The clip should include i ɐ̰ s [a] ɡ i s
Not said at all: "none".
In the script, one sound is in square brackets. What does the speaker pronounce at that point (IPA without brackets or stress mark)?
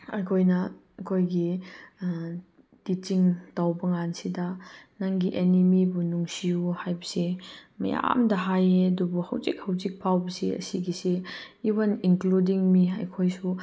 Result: i